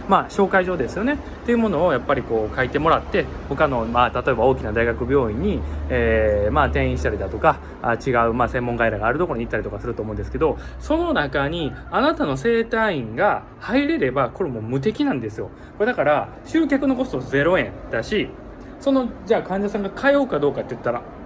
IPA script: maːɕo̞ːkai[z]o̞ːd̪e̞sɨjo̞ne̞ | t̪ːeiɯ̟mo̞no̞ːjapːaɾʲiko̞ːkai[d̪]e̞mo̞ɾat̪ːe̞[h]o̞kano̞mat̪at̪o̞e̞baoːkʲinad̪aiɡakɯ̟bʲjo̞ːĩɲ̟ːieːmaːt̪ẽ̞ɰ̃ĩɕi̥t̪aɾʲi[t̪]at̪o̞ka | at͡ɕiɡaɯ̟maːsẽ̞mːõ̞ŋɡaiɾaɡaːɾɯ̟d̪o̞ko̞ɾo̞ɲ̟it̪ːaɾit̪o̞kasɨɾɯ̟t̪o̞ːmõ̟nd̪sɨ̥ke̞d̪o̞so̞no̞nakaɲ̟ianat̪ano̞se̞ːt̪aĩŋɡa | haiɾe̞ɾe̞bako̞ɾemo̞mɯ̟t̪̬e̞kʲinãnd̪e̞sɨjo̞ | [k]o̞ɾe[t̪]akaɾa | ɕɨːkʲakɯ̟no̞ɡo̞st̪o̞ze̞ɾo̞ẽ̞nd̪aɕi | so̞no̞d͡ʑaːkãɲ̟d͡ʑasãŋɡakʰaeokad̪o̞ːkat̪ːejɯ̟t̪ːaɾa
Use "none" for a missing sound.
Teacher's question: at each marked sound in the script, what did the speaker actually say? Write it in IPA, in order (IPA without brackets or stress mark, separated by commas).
ʑ, t̪, h, d̪, k, d̪